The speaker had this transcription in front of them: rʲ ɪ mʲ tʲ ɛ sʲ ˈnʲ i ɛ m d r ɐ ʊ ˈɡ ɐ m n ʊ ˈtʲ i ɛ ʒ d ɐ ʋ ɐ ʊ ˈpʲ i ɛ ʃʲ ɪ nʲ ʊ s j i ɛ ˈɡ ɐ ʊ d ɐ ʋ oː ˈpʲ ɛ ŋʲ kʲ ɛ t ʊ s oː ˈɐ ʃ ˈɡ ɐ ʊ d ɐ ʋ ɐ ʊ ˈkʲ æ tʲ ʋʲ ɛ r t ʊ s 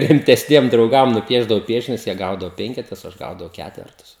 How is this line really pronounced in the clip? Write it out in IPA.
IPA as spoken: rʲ ɪ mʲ tʲ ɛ sʲ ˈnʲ i ɛ m d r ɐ ʊ ˈɡ ɐ m n ʊ ˈpʲ i ɛ ʒ d ɐ ʋ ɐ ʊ ˈpʲ i ɛ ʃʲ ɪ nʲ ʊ s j i ɛ ˈɡ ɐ ʊ d ɐ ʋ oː ˈpʲ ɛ ŋʲ kʲ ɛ t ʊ s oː ˈɐ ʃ ˈɡ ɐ ʊ d ɐ ʋ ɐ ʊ ˈkʲ æ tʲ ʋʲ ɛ r t ʊ s